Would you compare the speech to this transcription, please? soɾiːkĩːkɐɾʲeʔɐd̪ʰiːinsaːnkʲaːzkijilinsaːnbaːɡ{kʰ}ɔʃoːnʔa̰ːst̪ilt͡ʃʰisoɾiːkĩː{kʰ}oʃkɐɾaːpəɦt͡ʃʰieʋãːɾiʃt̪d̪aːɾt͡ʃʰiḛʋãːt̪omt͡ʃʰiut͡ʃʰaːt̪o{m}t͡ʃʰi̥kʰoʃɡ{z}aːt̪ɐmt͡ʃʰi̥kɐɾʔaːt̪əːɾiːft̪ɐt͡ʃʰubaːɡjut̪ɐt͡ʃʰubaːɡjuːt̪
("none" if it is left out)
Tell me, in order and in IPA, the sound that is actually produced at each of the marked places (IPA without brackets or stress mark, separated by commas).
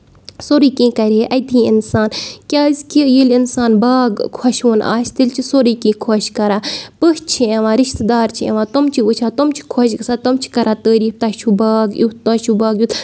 kʰ, kʰ, m, s